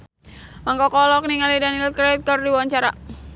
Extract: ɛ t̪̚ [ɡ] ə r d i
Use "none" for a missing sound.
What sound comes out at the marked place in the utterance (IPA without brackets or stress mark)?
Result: k